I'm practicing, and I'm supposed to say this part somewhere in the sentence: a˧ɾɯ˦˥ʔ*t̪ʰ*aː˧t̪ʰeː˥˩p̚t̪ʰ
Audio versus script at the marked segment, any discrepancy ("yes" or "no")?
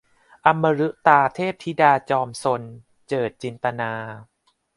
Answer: yes